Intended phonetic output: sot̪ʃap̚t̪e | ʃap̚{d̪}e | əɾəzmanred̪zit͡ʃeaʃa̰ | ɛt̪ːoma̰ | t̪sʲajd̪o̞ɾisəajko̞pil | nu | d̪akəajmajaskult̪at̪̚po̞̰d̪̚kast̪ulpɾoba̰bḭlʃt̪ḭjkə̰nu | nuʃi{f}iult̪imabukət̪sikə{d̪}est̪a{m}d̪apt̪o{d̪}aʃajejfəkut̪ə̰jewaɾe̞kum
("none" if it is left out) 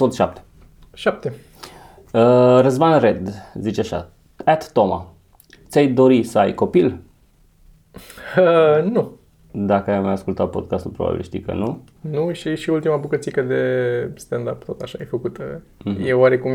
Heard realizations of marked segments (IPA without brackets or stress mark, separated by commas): t̪, ʃ, d̪, n, t̪